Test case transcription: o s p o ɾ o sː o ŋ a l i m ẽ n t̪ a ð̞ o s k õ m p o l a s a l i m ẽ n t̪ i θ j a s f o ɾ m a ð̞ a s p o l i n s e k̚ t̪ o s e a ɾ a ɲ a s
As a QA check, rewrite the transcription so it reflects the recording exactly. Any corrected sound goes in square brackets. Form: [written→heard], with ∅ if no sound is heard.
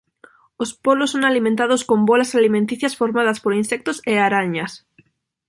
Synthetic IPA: o s p o [ɾ→l] o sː o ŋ a l i m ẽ n t̪ a ð̞ o s k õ m [p→b] o l a s a l i m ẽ n t̪ i θ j a s f o ɾ m a ð̞ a s p o [l→ɾ] i n s e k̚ t̪ o s e a ɾ a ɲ a s